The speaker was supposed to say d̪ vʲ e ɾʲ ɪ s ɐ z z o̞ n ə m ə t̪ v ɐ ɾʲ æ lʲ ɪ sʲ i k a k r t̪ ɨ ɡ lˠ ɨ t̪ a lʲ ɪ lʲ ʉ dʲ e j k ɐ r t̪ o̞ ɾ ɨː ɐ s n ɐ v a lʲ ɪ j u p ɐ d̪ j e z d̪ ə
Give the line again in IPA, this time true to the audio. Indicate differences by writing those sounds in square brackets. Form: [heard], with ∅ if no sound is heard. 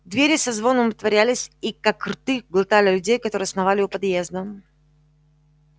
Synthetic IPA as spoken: d̪ vʲ e ɾʲ ɪ s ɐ z [v] o̞ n ə m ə t̪ v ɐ ɾʲ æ lʲ ɪ sʲ i k a k r t̪ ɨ ɡ lˠ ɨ t̪ a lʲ ɪ lʲ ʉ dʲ e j k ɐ [∅] t̪ o̞ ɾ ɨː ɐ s n ɐ v a lʲ ɪ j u p ɐ d̪ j e z d̪ ə